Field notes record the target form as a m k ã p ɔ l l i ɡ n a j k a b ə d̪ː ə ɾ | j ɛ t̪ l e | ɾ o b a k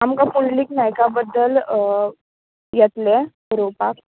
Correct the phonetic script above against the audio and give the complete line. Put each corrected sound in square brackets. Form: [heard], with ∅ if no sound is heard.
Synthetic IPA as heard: a m k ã p [u] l l i [k] n a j k a b ə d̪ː ə [l] | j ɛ t̪ l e | ɾ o [p] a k